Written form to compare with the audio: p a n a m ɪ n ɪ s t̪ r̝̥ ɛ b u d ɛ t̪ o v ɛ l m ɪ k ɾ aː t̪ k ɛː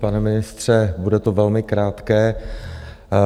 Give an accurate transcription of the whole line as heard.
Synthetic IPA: p a n ɛ m ɪ n ɪ s t̪ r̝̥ ɛ b u d ɛ t̪ o v ɛ l m ɪ k ɾ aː t̪ k ɛː